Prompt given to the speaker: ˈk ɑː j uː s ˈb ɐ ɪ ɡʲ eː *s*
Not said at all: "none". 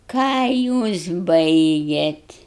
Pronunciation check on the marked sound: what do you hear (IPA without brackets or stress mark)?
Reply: t